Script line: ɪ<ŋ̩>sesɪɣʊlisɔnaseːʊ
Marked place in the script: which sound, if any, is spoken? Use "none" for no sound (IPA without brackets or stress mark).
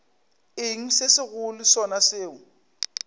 ŋ̩